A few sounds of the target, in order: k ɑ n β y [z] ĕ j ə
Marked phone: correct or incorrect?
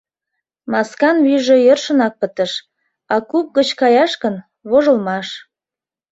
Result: incorrect